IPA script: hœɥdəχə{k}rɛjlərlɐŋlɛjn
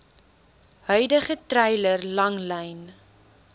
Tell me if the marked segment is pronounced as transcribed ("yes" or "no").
no